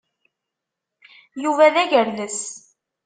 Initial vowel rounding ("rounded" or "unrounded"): rounded